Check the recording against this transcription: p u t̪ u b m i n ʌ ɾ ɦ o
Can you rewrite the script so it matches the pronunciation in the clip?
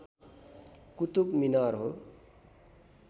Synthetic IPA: k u t̪ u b m i n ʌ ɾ ɦ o